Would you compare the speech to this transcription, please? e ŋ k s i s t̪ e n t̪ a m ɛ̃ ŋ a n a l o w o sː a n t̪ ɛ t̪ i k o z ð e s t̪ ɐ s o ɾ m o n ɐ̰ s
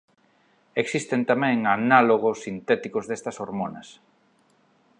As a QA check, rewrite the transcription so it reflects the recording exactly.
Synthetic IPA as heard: e k s i s t̪ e n t̪ a m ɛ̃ ŋ a n a l o ɣ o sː i n t̪ ɛ t̪ i k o z ð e s t̪ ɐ s o ɾ m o n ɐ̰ s